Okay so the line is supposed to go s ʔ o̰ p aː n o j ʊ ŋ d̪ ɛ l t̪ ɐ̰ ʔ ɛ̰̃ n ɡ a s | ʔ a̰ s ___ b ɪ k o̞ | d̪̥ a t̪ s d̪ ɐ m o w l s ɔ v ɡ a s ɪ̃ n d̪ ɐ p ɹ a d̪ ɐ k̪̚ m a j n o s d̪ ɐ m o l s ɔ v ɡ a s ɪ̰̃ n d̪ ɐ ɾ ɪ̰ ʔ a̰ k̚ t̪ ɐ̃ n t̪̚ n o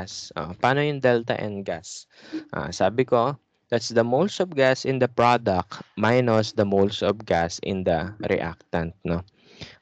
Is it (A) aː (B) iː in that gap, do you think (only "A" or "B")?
A